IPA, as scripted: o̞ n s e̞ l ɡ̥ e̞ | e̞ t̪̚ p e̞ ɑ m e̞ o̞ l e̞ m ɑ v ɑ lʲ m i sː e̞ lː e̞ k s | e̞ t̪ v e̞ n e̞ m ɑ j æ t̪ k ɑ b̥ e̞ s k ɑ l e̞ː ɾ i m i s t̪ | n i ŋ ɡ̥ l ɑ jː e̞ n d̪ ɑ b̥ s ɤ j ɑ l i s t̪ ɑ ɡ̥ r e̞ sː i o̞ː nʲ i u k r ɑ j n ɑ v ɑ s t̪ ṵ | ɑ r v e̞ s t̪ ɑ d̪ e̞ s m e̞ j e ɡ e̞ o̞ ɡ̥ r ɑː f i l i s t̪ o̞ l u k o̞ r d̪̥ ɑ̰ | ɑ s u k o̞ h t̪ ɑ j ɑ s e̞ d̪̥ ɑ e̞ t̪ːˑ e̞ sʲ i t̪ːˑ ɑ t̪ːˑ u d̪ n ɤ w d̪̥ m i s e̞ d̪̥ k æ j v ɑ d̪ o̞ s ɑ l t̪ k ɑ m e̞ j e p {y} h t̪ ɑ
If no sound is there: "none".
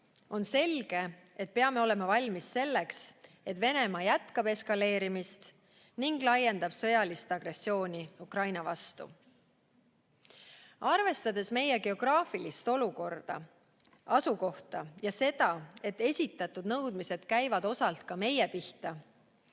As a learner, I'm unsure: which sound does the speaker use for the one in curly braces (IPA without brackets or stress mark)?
i